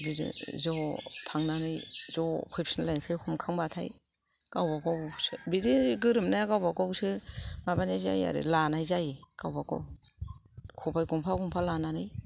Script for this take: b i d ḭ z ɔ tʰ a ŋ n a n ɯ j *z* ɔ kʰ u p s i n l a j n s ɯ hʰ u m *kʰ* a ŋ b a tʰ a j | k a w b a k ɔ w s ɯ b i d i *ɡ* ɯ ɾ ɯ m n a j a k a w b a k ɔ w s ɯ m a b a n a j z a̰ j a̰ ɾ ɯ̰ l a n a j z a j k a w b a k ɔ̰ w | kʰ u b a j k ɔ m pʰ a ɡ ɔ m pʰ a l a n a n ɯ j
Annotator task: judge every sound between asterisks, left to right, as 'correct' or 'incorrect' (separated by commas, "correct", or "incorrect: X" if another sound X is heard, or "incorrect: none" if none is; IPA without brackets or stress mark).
correct, correct, correct